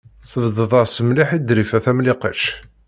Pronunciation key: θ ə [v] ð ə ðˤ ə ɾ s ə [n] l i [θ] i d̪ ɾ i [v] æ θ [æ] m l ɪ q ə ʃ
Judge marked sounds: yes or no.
yes, no, no, no, yes

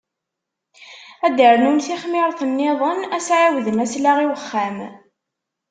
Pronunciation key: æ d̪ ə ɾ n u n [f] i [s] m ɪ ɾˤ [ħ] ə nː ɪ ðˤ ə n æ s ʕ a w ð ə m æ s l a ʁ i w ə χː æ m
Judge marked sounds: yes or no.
no, no, no

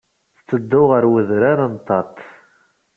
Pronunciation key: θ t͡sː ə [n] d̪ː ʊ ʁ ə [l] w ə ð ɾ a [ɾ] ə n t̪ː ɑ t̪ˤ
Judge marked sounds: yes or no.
no, no, yes

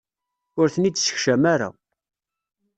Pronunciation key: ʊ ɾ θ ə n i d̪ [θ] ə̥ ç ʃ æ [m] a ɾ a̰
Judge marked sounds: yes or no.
no, yes

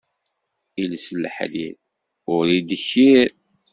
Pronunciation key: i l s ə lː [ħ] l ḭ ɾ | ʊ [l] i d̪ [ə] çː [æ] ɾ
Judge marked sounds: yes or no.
yes, no, yes, no

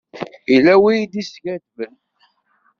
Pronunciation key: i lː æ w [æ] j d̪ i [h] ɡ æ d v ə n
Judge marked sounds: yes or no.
no, no

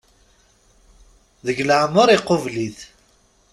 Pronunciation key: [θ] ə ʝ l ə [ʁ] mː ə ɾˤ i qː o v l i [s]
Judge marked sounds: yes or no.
no, no, no

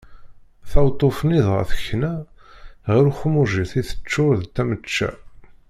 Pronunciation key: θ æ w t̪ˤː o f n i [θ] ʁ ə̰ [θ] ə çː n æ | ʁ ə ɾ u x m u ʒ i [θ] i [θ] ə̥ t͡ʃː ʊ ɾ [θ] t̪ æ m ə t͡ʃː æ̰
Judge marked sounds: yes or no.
no, yes, yes, yes, no

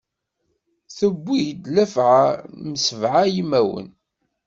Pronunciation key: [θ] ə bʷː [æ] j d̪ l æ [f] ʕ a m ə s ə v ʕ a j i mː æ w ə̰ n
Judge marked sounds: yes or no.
yes, no, yes

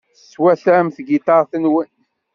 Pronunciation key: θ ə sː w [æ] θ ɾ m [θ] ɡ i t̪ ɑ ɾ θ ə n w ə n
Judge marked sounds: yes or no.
yes, yes

